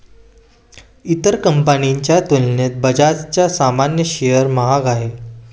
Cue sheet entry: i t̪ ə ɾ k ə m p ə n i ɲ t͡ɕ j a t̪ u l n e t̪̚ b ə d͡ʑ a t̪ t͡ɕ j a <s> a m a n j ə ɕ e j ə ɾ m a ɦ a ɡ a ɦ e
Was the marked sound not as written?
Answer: no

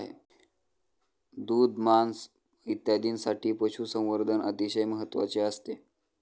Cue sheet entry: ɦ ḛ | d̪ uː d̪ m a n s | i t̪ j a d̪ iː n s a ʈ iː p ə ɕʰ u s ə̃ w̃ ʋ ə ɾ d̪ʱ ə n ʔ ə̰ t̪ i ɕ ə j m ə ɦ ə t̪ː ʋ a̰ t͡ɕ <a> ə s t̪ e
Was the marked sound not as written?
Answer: yes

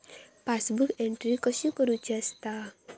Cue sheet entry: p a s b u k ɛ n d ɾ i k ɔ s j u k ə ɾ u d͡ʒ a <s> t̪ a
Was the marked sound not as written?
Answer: no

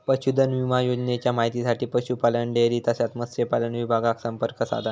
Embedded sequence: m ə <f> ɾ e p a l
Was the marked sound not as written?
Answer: yes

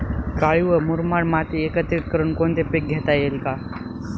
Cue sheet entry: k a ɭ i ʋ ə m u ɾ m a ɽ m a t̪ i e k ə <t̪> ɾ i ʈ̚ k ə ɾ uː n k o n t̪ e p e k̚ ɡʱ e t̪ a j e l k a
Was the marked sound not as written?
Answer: no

